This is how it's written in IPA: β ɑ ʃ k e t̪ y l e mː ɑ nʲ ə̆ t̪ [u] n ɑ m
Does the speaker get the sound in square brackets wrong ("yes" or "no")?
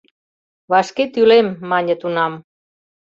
no